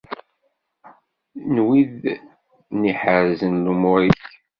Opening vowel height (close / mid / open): close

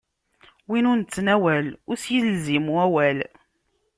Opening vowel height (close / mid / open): close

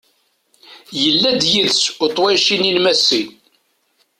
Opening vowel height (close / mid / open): mid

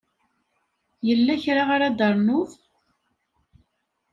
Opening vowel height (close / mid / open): mid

